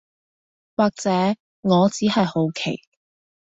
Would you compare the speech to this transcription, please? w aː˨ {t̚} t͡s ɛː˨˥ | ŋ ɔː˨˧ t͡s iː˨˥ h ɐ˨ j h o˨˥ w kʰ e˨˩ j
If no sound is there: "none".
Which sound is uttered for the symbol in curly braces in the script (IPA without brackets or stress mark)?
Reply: k̚